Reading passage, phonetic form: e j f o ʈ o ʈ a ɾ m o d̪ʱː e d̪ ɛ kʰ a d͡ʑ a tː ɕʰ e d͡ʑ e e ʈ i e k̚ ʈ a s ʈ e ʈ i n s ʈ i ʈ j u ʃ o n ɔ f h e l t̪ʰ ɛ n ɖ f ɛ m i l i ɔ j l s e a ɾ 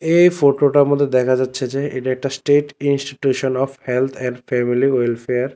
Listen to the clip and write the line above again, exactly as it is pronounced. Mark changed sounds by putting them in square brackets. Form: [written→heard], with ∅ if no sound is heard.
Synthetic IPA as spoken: e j f o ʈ o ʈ a ɾ m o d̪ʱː e d̪ ɛ kʰ a d͡ʑ a tː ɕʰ e d͡ʑ e e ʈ [i→a] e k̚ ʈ a s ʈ e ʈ i n s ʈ i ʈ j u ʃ o n ɔ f h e l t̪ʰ ɛ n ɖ f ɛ m i l i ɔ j l [s→f] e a ɾ